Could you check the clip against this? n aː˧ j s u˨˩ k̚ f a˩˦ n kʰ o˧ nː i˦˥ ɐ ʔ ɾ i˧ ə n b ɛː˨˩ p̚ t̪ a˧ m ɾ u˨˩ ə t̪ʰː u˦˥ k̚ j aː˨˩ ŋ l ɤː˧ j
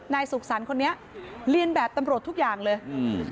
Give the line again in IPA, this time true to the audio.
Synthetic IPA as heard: n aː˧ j s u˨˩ k̚ s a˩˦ n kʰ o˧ nː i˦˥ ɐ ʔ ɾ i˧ ə n b ɛː˨˩ p̚ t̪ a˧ m ɾ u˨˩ ə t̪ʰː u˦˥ k̚ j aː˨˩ ŋ l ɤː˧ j